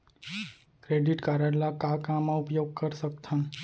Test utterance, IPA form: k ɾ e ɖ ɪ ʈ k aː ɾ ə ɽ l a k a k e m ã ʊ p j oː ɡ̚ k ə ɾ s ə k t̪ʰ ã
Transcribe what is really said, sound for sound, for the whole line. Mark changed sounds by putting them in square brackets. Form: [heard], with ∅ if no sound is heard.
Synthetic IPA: k ɾ e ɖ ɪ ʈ k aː ɾ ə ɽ l a k a k [a] m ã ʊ p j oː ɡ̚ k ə ɾ s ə k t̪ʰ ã